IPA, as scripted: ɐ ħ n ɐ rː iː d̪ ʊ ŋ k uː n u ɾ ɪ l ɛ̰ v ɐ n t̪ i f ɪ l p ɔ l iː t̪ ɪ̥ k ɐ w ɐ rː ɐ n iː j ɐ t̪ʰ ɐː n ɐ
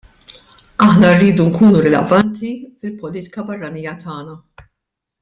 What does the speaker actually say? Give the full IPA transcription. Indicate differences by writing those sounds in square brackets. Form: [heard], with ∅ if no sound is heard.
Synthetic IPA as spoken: ɐ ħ n ɐ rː iː d̪ [u] ŋ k uː n u ɾ ɪ l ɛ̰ v ɐ n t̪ i f ɪ l p ɔ l iː t̪ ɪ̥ k ɐ [b] ɐ rː ɐ n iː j ɐ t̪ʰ ɐː n ɐ